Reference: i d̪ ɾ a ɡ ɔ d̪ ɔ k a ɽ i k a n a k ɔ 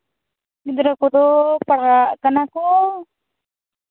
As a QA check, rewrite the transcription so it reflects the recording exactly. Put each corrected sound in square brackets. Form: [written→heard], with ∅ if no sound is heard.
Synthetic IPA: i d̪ ɾ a [ɡ→k] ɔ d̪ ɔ [k→p] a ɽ [i→a] k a n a k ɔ